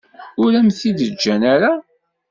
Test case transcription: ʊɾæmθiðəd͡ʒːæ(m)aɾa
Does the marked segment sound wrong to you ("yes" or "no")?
yes